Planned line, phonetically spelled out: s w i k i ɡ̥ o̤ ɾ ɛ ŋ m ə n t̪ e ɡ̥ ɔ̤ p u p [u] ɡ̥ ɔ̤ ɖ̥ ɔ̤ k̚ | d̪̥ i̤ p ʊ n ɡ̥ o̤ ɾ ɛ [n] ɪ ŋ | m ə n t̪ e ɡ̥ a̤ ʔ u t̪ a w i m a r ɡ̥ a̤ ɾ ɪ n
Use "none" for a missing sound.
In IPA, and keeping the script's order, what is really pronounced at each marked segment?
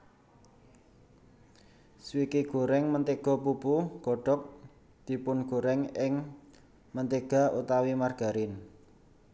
u, ŋ

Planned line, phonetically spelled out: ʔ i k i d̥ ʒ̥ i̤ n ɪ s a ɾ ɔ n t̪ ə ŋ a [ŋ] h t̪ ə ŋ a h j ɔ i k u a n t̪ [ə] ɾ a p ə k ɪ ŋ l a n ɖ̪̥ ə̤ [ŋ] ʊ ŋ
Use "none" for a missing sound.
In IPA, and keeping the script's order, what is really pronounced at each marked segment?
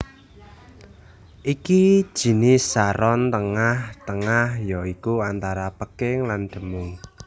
none, a, m

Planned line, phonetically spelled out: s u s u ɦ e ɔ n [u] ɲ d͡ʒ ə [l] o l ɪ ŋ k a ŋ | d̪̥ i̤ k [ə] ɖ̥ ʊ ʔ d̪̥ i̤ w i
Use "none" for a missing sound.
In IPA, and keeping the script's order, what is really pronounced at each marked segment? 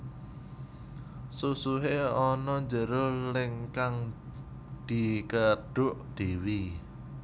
ɔ, ɾ, ə

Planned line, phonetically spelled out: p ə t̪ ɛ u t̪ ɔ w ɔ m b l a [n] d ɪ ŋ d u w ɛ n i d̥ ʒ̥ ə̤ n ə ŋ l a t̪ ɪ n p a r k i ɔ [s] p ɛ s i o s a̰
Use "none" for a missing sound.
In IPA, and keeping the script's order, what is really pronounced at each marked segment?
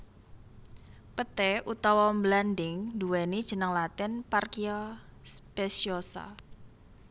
n, s

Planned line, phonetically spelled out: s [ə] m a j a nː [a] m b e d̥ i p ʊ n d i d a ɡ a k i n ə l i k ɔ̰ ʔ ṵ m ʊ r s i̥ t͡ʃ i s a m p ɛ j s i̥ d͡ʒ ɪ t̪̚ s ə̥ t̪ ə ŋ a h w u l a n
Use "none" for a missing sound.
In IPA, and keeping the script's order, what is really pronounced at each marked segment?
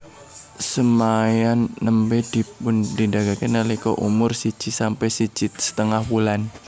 ə, ə

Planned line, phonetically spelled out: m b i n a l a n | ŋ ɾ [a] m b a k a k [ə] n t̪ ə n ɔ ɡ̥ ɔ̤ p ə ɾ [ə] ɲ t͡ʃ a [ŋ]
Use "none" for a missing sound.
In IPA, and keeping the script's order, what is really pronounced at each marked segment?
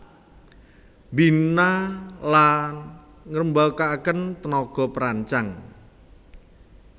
ə, ə, a, ŋ

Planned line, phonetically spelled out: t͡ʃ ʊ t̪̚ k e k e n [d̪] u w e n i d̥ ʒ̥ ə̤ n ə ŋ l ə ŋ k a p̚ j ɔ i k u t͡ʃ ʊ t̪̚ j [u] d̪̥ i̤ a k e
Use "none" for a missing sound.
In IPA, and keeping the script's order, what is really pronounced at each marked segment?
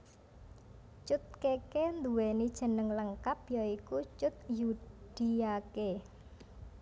d̪, u

